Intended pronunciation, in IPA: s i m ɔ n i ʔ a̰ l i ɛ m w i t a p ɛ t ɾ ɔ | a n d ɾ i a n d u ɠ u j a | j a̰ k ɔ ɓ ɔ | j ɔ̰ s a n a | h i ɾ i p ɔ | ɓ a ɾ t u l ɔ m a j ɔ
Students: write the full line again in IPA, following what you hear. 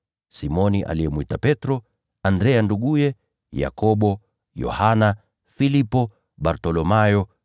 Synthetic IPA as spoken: s i m ɔ n i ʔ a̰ l i ɛ m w i t a p ɛ t ɾ ɔ | a n d ɾ ɛ a n d u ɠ u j ɛ | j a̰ k ɔ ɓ ɔ | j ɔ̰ h a n a | f i l i p ɔ | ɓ a ɾ t ɔ l ɔ m a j ɔ